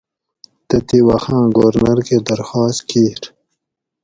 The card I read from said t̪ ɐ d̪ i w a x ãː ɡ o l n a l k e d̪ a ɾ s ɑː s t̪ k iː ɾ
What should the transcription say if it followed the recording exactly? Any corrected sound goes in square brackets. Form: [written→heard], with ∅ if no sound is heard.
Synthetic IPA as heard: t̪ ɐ [d̪→t̪] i w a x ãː ɡ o [l→ɾ] n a [l→ɾ] k e d̪ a ɾ [s→x] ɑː s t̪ k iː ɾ

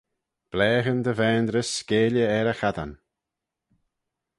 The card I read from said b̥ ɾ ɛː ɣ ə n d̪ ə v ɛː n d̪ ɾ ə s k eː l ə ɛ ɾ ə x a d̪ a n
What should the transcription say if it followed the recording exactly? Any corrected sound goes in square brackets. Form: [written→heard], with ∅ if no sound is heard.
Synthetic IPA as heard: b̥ [ɾ→l] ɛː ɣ ə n d̪ ə v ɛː n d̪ ɾ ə s k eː l ə ɛ ɾ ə x a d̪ a n

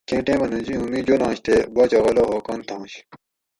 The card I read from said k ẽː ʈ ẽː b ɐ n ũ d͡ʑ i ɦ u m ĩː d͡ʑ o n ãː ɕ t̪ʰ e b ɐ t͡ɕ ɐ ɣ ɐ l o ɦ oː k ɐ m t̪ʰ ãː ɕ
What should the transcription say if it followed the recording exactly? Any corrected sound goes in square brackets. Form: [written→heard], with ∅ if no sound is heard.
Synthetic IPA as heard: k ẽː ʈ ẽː [b→m] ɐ n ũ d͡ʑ i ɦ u m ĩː d͡ʑ o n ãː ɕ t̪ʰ e b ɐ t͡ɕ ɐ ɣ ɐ l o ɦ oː k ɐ [m→n] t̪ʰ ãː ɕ

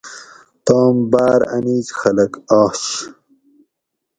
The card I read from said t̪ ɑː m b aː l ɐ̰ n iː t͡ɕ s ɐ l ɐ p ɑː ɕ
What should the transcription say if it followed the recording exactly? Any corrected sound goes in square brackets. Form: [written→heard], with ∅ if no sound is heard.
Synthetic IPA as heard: t̪ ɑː m b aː [l→ɾ] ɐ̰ n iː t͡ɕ [s→x] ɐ l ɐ [p→k] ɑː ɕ

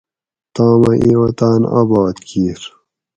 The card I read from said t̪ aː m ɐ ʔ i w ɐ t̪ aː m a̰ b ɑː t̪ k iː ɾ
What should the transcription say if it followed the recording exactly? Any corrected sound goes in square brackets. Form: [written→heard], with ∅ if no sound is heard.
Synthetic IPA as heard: t̪ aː m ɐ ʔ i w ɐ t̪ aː [m→n] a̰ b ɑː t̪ k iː ɾ

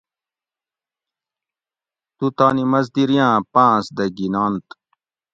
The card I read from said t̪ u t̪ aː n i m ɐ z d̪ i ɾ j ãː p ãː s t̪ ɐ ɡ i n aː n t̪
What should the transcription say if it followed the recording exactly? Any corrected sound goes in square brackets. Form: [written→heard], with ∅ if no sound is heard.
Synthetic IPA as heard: t̪ u t̪ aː n i m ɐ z d̪ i ɾ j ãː p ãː s [t̪→d̪] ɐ ɡ i n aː n t̪

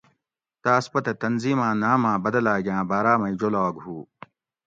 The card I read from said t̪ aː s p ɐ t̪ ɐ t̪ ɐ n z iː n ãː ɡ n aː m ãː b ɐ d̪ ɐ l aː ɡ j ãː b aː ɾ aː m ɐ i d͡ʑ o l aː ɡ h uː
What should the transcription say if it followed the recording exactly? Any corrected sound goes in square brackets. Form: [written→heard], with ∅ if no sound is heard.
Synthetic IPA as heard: t̪ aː s p ɐ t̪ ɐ t̪ ɐ n z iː [n→m] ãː [ɡ→∅] n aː m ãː b ɐ d̪ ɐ l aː ɡ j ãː b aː ɾ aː m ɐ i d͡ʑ o l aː ɡ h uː

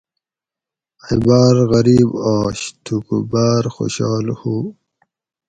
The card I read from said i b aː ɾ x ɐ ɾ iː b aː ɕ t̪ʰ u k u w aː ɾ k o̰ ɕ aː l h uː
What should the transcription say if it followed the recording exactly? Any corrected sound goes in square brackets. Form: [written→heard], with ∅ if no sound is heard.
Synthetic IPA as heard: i b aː ɾ [x→ɣ] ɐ ɾ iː b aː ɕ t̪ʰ u k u [w→b] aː ɾ [k→x] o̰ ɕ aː l h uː

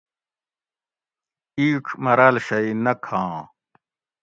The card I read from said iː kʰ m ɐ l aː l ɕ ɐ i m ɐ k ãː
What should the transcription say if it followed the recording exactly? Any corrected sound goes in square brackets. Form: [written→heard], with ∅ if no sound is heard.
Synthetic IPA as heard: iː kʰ m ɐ [l→ɾ] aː l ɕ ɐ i [m→n] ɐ [k→kʰ] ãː

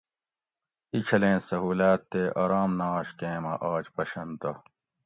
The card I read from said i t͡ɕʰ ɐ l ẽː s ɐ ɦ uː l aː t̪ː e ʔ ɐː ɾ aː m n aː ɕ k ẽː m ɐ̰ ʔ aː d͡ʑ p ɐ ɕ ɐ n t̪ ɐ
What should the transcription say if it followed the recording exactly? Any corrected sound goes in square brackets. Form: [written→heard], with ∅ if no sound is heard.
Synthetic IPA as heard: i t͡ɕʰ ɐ l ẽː s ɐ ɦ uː l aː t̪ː e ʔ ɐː ɾ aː m n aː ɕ k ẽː m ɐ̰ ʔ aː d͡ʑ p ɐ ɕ ɐ n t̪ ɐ

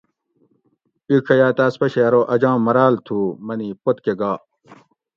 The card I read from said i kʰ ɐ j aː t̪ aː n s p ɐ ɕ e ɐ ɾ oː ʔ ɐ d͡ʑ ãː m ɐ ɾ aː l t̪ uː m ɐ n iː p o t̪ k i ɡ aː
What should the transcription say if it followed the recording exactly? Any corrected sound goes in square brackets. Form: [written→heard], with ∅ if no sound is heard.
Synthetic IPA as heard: i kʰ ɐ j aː t̪ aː [n→∅] s p ɐ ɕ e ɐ ɾ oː ʔ ɐ d͡ʑ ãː m ɐ ɾ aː l [t̪→t̪ʰ] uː m ɐ n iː p o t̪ k [i→e] ɡ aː

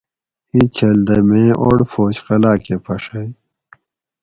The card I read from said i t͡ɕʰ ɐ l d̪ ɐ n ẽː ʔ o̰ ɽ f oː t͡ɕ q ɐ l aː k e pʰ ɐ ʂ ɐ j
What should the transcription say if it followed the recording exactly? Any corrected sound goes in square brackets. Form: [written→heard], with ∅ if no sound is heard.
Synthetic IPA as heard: i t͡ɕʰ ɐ l d̪ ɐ [n→m] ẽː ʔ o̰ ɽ f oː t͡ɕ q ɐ l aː k e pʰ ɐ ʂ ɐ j

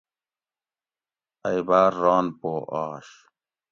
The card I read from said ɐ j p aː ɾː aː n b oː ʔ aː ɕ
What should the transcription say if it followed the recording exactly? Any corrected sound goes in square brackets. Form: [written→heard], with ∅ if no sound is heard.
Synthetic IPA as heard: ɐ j [p→b] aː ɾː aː n [b→p] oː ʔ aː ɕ

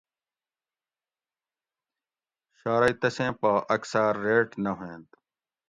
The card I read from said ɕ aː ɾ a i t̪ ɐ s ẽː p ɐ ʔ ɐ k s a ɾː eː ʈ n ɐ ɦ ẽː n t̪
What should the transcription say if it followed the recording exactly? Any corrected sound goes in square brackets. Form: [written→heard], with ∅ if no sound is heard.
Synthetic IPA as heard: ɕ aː ɾ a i t̪ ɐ s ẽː p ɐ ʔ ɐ k s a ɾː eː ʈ n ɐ ɦ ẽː n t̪

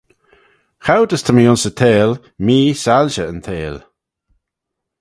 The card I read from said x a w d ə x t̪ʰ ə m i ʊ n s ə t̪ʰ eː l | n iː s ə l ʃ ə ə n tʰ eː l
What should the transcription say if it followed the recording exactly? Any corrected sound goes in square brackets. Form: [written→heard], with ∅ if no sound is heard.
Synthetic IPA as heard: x a w d ə [x→s] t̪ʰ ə m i ʊ n s ə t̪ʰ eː l | [n→m] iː s [ə→a] l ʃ ə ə n tʰ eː l

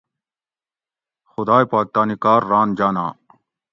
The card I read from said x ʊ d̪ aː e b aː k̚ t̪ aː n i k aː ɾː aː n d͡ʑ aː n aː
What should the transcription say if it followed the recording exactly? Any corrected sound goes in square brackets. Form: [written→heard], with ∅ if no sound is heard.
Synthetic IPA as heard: x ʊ d̪ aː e [b→p] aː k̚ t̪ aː n i k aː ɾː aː n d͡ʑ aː n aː

